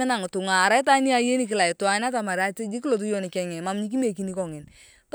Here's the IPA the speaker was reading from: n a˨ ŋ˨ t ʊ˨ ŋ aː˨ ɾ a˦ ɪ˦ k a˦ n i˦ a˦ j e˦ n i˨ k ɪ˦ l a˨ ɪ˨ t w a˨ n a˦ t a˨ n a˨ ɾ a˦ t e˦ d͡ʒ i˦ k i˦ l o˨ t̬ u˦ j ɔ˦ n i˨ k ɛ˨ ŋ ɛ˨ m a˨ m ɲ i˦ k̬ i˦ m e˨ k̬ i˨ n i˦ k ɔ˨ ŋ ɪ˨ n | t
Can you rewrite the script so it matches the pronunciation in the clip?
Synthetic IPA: n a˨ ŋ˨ t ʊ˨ ŋ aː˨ ɾ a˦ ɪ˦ t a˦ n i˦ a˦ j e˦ n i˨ k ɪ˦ l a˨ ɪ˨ t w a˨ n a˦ t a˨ m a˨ ɾ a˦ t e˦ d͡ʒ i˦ k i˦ l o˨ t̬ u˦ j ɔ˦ n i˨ k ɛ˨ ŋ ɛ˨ m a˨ m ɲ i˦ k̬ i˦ m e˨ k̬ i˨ n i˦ k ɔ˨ ŋ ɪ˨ n | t

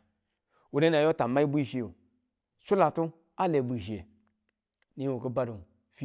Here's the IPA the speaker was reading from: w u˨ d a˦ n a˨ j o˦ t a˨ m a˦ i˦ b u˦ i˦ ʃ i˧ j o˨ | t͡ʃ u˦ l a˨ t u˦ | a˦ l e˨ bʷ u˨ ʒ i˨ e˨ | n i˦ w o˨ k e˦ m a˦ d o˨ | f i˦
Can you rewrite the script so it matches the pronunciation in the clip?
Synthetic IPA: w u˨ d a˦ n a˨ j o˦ t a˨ m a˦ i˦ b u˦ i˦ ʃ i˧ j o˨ | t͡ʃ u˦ l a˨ t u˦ | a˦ l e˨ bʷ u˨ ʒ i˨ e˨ | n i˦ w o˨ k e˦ b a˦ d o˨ | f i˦

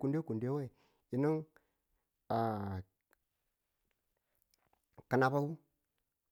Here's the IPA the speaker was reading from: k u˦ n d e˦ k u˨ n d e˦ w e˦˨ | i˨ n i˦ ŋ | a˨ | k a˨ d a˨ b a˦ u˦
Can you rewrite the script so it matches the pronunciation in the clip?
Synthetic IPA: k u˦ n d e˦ k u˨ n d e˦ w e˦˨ | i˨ n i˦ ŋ | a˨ | k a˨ n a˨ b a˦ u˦

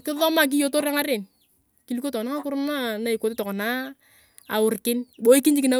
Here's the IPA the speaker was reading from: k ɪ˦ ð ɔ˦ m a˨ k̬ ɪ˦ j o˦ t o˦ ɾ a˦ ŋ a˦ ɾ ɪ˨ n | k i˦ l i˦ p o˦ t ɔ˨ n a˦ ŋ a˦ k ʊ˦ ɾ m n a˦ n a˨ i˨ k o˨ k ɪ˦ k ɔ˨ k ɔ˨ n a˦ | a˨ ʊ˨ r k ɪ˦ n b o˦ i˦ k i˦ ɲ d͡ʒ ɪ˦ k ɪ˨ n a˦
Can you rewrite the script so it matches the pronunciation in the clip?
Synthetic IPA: k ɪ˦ ð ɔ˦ m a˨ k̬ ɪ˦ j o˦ t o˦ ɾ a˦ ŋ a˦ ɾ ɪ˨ n | k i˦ l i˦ k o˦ t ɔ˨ n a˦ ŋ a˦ k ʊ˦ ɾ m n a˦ n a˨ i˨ k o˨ t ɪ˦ t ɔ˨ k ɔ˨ n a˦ | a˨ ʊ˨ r k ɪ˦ n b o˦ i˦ k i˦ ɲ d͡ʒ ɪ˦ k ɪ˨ n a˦

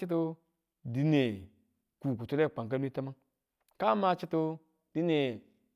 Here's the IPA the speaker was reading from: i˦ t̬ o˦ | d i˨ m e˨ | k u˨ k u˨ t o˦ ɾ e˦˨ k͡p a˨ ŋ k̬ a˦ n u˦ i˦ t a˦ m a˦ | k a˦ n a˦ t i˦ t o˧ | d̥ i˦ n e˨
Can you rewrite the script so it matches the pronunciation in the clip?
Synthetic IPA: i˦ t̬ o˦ | d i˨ n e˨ | k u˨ k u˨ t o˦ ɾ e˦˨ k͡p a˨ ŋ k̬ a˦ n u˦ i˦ t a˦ m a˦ | k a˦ m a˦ t͡ʃ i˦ t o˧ | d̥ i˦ n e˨

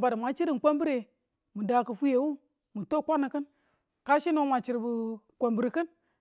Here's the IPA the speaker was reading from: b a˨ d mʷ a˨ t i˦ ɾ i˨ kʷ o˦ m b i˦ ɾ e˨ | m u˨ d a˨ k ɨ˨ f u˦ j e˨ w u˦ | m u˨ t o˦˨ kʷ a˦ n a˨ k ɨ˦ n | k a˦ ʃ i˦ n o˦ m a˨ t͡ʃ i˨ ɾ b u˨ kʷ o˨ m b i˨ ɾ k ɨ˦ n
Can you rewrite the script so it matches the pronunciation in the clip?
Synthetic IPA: b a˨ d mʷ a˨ t͡ʃ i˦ ɾ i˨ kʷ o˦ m b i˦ ɾ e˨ | m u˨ d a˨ k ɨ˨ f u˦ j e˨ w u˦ | m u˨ t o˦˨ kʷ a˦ n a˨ k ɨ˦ n | k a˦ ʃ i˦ n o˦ m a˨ t͡ʃ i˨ ɾ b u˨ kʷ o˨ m b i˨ ɾ k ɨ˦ n

